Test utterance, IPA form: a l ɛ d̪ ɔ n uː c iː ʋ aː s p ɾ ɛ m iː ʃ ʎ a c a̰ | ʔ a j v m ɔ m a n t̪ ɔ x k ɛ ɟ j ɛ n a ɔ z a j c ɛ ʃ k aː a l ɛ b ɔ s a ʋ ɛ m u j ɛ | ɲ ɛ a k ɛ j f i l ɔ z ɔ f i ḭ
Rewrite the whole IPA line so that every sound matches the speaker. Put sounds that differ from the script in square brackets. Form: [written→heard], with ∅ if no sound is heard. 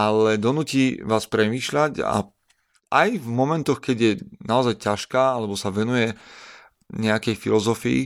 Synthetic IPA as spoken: a l ɛ d̪ ɔ n uː c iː ʋ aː s p ɾ ɛ m iː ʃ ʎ a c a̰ | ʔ a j v m ɔ m [a→ɛ] n t̪ ɔ x k ɛ ɟ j ɛ n a ɔ z a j c [ɛ→a] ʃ k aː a l ɛ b ɔ s a ʋ ɛ [m→n] u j ɛ | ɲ ɛ a k ɛ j f i l ɔ z ɔ f i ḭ